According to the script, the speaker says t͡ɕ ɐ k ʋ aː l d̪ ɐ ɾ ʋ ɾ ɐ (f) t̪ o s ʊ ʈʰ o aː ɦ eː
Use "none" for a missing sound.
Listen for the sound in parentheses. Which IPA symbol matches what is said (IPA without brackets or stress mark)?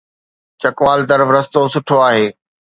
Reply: s